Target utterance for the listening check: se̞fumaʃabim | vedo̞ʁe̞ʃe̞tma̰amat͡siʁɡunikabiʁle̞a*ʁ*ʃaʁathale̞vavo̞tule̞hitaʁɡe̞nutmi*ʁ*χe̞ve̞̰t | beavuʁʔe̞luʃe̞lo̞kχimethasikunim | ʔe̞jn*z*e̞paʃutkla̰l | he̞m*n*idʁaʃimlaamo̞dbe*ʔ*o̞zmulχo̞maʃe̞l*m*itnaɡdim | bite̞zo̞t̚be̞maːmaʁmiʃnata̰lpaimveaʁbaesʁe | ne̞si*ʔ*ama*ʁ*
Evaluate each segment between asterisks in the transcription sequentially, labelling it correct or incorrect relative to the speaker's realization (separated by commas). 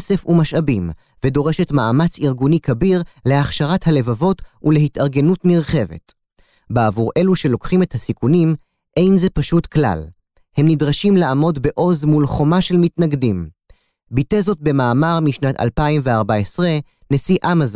incorrect, correct, correct, correct, correct, correct, correct, incorrect